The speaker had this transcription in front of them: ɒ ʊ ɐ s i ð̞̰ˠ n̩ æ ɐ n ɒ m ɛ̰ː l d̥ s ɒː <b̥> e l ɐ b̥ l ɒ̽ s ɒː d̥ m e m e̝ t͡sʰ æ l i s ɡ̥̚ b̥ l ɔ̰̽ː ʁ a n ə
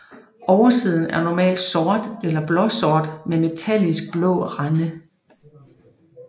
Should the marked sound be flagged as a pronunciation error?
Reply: yes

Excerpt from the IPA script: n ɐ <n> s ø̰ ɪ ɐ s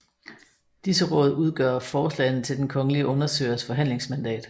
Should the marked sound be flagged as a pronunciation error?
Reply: yes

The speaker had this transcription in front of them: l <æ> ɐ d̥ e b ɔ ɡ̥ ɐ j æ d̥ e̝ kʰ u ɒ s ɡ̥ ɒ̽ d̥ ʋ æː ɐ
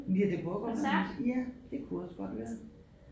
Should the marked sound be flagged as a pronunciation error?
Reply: yes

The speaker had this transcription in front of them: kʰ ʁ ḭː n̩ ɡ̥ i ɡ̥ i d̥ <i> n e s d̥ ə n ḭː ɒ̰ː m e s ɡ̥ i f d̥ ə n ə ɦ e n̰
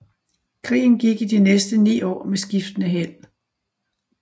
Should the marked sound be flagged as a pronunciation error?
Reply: no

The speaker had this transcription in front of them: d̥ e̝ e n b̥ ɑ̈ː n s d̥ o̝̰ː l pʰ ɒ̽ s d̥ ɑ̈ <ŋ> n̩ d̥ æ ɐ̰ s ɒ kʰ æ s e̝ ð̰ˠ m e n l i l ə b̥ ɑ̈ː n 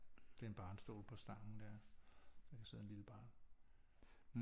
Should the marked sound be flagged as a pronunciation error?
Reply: no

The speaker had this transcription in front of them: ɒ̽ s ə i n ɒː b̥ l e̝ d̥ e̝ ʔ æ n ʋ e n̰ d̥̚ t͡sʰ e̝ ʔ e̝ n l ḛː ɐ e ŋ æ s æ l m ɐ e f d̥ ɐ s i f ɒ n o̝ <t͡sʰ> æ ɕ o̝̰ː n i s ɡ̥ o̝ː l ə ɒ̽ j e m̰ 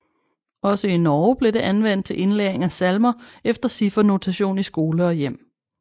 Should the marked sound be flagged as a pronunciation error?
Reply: no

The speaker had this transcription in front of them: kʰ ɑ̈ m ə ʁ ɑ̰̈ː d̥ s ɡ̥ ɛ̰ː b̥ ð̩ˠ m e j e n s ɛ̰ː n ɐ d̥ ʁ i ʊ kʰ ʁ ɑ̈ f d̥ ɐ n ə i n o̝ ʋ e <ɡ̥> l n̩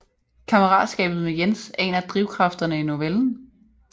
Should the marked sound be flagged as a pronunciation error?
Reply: yes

